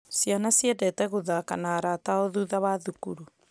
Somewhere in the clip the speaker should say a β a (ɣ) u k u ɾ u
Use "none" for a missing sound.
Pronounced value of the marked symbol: ð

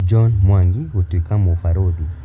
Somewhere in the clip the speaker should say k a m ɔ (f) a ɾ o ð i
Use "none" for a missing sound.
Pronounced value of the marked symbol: f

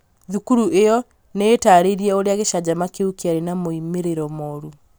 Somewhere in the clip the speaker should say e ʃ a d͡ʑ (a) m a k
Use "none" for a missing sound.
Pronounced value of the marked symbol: a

